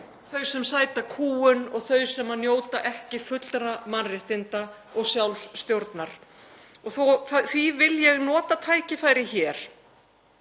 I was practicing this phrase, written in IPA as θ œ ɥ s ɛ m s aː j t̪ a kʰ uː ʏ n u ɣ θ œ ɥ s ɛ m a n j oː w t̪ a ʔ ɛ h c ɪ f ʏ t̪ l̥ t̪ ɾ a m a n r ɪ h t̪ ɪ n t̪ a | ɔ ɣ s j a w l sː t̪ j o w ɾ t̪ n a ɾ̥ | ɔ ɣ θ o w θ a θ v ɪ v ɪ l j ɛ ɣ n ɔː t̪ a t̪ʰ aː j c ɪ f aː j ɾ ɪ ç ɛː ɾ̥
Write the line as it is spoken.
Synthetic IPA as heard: θ œ ɥ s ɛ m s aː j t̪ a kʰ uː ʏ n ɔ ɣ θ œ ɥ s ɛ m a n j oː w t̪ a ʔ ɛ h c ɪ f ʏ t̪ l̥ t̪ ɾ a m a n r ɪ h t̪ ɪ n t̪ a | ɔ ɣ s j a w l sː t̪ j o w ɾ t̪ n a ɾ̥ | ɔ ɣ θ o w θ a θ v i v ɪ l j ɛ ɣ n ɔː t̪ a t̪ʰ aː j c ɪ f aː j ɾ ɪ ç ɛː ɾ̥